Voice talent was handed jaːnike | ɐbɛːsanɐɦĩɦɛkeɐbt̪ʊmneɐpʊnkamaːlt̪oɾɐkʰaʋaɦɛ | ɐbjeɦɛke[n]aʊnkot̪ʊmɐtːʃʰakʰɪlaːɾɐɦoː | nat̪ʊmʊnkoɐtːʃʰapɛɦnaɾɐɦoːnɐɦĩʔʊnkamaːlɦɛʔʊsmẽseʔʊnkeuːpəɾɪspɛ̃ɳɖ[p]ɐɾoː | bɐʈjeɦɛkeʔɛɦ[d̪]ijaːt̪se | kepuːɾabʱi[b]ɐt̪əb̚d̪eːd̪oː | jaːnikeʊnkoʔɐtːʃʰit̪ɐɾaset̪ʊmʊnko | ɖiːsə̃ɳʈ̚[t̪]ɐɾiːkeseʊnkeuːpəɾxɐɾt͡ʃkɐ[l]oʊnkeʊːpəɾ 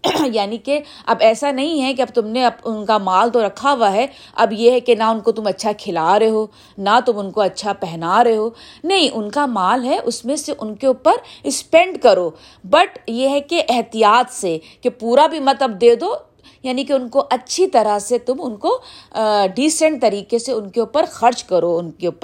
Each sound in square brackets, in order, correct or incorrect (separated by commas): correct, incorrect, incorrect, incorrect, correct, incorrect